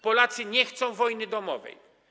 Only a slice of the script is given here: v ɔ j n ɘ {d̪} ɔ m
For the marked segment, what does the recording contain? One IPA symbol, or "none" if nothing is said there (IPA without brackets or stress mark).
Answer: d̪